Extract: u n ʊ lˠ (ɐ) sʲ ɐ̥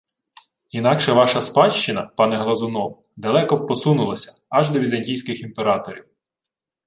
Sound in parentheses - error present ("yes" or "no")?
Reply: no